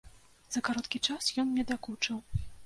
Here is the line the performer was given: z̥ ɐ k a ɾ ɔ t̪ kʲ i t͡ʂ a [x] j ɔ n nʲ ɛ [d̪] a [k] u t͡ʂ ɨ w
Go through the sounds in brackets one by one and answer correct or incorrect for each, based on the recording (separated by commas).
incorrect, correct, correct